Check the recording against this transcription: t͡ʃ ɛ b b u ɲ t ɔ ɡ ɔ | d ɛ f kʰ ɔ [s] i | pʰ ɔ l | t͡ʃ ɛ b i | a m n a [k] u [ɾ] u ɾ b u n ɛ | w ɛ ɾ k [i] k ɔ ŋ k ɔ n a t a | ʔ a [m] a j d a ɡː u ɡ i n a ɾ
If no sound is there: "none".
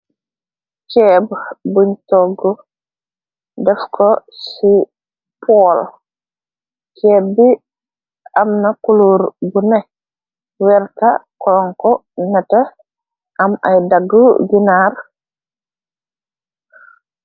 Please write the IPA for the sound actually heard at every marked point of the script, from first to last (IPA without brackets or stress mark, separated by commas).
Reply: s, k, l, a, m